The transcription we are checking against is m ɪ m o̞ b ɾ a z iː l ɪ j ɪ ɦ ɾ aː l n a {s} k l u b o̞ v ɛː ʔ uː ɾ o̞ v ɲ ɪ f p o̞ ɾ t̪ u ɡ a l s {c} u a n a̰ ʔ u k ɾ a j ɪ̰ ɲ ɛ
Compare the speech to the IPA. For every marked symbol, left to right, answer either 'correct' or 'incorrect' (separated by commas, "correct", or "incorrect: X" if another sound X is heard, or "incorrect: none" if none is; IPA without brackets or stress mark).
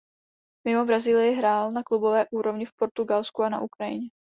incorrect: none, incorrect: k